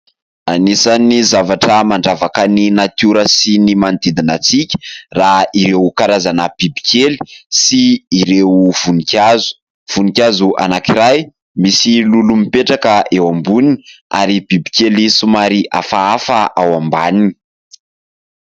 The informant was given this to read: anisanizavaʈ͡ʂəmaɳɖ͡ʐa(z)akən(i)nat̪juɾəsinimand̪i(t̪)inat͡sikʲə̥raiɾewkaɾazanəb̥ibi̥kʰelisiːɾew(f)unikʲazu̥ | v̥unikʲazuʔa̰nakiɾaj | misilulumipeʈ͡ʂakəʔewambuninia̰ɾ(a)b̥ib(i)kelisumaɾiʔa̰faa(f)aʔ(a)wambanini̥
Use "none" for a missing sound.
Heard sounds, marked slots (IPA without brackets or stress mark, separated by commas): v, i, d̪, v, i, i, f, a